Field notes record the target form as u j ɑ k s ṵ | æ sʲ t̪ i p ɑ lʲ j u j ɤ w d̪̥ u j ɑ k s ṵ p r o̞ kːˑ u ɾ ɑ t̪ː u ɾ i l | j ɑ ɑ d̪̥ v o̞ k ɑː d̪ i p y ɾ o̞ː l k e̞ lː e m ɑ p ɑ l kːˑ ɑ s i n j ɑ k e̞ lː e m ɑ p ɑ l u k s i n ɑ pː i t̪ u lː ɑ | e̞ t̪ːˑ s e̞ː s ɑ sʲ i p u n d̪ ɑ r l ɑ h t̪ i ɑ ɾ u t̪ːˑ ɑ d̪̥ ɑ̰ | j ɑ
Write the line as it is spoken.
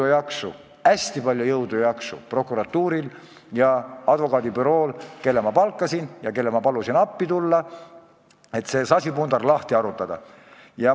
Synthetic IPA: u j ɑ k s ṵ | æ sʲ t̪ i p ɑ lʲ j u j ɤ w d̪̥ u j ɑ k s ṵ p r o̞ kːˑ u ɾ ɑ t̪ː uː ɾ i l | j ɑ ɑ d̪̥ v o̞ k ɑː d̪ i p y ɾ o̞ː l k e̞ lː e m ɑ p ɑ l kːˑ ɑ s i n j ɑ k e̞ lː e m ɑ p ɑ l u s i n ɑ pː i t̪ u lː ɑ | e̞ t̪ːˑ s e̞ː s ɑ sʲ i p u n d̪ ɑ r l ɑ h t̪ i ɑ ɾ u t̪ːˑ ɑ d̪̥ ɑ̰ | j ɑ